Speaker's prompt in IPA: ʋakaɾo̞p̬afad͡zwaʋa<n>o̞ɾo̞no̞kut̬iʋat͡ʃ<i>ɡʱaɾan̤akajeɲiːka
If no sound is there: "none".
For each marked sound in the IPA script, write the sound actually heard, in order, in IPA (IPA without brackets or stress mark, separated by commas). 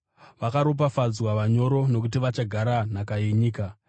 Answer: ɲ, a